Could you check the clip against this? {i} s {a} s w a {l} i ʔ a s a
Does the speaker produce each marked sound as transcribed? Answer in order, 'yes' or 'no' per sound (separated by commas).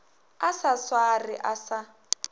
no, yes, no